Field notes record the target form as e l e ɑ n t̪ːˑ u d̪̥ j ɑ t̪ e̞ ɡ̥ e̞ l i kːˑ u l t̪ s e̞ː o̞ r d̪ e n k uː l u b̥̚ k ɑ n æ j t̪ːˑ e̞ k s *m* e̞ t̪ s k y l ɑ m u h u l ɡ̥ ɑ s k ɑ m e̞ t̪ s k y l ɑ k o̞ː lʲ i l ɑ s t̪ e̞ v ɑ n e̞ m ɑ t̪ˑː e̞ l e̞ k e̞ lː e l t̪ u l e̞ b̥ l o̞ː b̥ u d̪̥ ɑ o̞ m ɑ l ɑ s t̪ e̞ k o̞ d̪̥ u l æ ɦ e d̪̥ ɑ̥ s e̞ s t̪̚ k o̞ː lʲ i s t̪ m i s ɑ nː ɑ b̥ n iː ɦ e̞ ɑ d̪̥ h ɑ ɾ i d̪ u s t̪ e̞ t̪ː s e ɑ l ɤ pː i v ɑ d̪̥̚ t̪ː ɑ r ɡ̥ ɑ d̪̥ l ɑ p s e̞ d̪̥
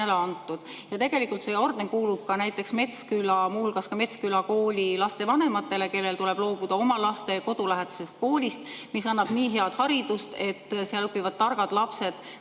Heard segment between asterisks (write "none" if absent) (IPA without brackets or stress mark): m